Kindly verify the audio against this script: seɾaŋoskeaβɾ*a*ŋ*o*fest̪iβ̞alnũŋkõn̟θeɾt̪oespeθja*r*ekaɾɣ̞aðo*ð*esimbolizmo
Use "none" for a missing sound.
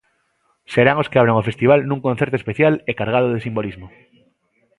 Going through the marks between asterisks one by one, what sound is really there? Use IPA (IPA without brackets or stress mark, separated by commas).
a, o, l, ð